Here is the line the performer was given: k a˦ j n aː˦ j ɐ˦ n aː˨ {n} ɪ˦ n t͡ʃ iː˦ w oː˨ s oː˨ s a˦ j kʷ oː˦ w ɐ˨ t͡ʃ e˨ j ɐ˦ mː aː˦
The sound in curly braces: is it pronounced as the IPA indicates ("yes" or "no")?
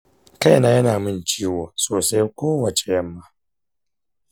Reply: no